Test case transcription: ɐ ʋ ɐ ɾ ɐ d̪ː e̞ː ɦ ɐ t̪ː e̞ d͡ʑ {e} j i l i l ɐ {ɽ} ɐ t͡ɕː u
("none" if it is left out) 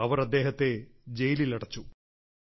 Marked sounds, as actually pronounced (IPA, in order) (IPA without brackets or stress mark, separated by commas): e, ɽ